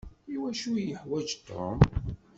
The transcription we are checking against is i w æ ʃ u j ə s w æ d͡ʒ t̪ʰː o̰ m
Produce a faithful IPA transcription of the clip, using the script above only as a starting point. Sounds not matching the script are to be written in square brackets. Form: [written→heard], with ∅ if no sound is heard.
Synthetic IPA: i w æ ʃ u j ə [s→ħ] w æ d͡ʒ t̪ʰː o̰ m

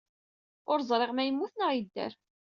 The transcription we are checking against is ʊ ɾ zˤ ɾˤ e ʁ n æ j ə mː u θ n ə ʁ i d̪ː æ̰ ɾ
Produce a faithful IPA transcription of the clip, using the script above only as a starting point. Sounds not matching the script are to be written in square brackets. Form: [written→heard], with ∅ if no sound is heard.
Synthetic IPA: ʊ ɾ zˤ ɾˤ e ʁ [n→m] æ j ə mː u θ n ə ʁ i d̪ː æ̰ ɾ

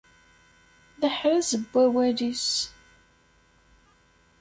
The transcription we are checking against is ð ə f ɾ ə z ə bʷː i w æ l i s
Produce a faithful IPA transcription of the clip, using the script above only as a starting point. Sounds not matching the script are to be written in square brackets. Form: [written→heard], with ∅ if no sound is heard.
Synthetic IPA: ð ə [f→ħ] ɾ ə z ə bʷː [i→æ] w æ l i s

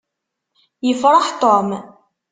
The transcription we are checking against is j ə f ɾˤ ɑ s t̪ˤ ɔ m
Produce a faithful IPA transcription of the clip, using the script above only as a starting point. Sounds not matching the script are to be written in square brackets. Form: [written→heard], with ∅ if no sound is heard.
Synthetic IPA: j ə f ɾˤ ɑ [s→ħ] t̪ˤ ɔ m

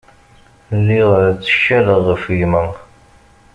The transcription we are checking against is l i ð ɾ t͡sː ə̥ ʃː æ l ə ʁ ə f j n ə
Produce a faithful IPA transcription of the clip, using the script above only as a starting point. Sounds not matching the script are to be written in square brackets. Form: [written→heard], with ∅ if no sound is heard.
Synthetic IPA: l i [ð→ʁ] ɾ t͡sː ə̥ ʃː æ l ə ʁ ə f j [n→m] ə

